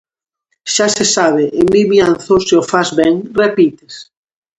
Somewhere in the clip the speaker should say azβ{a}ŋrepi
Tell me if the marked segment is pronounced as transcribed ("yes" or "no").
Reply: no